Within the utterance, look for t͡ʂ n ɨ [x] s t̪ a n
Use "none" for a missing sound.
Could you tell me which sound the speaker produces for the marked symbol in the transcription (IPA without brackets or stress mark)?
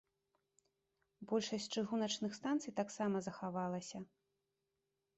x